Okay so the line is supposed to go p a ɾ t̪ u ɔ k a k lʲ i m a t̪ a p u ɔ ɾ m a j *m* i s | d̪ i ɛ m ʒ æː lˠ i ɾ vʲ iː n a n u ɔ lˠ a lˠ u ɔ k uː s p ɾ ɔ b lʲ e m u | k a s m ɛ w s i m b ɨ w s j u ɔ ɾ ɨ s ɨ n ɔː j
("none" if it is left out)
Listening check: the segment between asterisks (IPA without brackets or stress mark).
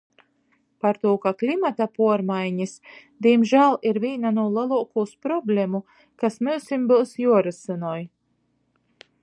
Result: ɲ